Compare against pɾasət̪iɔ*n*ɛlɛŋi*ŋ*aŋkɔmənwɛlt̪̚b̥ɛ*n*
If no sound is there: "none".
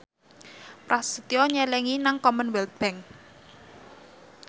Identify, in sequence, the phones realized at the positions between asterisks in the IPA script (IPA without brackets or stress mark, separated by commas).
ɲ, n, ŋ